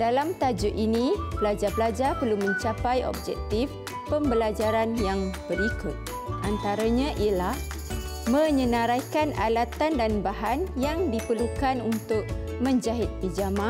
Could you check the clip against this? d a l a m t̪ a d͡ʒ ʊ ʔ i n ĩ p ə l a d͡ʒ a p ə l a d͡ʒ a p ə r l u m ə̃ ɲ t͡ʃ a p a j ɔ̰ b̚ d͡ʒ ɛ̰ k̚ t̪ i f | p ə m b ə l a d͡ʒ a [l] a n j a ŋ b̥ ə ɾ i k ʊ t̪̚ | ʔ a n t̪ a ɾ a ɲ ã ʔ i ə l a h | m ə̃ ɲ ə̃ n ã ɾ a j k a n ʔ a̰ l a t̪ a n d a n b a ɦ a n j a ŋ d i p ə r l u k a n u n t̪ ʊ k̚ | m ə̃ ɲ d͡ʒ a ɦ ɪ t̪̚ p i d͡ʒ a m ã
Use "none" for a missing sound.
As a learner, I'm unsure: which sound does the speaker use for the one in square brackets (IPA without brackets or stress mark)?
ɾ